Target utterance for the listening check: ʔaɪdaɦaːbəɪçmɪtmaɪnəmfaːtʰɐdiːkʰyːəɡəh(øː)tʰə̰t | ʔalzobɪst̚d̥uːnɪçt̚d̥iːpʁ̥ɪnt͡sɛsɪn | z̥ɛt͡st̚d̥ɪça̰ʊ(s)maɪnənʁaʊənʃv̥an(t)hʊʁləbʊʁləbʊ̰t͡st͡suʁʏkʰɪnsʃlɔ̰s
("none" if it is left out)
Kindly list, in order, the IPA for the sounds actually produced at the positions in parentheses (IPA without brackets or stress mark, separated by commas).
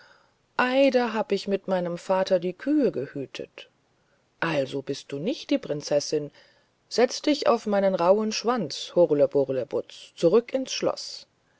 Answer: yː, f, t͡s